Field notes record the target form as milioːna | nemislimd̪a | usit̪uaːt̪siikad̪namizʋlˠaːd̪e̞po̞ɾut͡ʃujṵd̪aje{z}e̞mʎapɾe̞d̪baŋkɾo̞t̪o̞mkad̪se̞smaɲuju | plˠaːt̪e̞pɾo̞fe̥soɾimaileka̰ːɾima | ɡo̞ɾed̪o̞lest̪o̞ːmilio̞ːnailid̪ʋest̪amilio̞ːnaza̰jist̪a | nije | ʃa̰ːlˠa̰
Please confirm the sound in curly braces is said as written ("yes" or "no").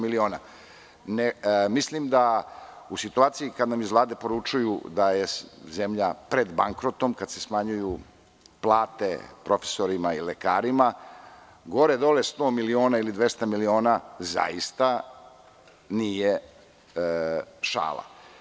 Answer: yes